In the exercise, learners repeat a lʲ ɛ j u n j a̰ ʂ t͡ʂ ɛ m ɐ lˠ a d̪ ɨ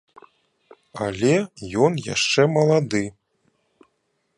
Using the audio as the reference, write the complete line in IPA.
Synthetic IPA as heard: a lʲ ɛ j ɔ n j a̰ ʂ t͡ʂ ɛ m ɐ lˠ a d̪ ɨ

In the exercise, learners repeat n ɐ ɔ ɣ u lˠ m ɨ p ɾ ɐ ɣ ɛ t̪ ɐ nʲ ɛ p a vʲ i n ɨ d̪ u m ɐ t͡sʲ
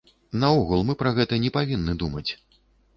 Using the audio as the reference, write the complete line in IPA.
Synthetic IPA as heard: n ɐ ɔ ɣ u lˠ m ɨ p ɾ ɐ ɣ ɛ t̪ ɐ nʲ ɛ p a vʲ i nː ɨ d̪ u m ɐ t͡sʲ

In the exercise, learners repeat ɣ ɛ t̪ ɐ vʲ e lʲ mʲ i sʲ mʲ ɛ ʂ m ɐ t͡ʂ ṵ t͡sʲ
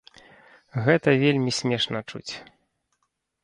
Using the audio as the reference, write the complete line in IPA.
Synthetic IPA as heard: ɣ ɛ t̪ ɐ vʲ e lʲ mʲ i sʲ mʲ ɛ ʂ n ɐ t͡ʂ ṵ t͡sʲ

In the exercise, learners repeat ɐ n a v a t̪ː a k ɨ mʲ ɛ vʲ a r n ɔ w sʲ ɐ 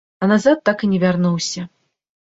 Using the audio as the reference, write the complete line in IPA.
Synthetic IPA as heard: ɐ n a z a t̪ː a k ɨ nʲ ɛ vʲ a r n u w sʲ ɐ

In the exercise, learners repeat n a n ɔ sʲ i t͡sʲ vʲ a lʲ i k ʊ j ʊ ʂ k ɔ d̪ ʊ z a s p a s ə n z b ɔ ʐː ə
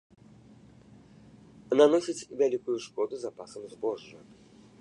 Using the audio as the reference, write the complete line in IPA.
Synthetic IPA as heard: n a n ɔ sʲ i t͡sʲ vʲ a lʲ i k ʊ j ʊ ʂ k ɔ d̪ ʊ z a p a s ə m z b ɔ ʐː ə

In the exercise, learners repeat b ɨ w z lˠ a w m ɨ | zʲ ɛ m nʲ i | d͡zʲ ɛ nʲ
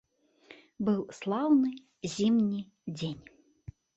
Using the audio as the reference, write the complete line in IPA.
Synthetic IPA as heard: b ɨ w s lˠ a w n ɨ | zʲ i m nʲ i | d͡zʲ e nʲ

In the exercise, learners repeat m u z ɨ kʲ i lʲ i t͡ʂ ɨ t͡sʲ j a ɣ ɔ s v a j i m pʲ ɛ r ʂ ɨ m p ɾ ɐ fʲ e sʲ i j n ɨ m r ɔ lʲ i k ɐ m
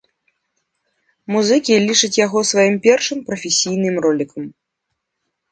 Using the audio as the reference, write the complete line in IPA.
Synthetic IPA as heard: m u z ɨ kʲ i lʲ i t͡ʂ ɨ t͡sʲ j a ɣ ɔ s v a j i m pʲ ɛ r ʂ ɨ m p ɾ ɐ fʲ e sʲ i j n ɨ m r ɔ lʲ i k ɐ m

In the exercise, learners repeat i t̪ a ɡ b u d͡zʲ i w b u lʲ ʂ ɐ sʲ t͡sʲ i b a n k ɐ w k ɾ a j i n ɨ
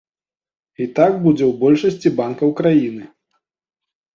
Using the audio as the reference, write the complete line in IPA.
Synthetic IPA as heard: i t̪ a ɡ b u d͡zʲ ɛ w b ɔ lʲ ʂ ɐ sʲ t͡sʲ i b a n k ɐ w k ɾ a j i n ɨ

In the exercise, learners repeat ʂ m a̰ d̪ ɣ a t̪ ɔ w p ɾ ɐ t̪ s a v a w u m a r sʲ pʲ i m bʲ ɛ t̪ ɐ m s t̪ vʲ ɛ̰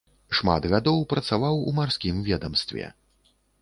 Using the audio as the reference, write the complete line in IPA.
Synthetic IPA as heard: ʂ m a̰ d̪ ɣ a d̪ ɔ w p ɾ ɐ t̪ s a v a w u m a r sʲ kʲ i m vʲ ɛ d̪ ɐ m s t̪ vʲ ɛ̰

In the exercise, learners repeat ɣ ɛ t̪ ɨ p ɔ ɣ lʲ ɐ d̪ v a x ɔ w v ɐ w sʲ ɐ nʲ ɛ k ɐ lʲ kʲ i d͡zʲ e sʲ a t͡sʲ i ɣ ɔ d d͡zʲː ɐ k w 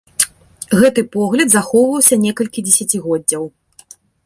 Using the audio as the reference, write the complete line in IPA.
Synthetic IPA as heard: ɣ ɛ t̪ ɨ p ɔ ɣ lʲ ɐ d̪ z a x ɔ w v ɐ w sʲ ɐ nʲ ɛ k ɐ lʲ kʲ i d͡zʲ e sʲ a t͡sʲ i ɣ ɔ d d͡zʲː ɐ w

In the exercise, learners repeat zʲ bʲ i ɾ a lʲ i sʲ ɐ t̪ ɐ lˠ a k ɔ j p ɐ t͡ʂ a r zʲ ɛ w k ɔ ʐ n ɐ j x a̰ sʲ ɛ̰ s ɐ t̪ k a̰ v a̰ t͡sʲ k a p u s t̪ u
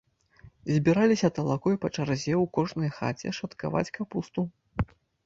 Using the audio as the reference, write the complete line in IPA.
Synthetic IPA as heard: zʲ bʲ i ɾ a lʲ i sʲ ɐ t̪ ɐ lˠ a k ɔ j p ɐ t͡ʂ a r zʲ ɛ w k ɔ ʐ n ɐ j x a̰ t͡sʲ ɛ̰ ʂ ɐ t̪ k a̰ v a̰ t͡sʲ k a p u s t̪ u

